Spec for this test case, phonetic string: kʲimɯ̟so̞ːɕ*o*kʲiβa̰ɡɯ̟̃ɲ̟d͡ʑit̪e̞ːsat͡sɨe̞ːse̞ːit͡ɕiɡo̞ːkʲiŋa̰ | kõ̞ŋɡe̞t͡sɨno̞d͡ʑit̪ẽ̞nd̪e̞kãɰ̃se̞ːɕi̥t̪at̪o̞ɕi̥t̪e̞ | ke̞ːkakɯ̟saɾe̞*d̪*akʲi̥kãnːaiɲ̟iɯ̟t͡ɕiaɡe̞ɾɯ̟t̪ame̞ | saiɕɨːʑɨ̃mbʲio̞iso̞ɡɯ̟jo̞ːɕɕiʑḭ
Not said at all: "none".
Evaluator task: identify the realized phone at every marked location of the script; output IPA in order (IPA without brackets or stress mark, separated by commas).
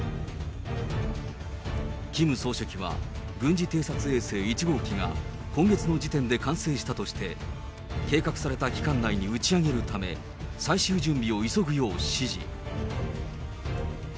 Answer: o, t̪